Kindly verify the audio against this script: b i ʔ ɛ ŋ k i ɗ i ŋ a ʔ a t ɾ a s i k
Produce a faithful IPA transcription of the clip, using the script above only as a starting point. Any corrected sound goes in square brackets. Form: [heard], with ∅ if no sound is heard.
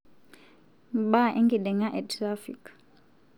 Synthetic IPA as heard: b [a] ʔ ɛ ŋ [ɡ] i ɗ [ɛ] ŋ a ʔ [ɛ] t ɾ a [f] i k